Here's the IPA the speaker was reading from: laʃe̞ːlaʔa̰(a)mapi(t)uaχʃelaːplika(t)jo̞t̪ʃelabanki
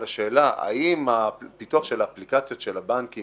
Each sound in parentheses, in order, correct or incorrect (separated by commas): incorrect, correct, incorrect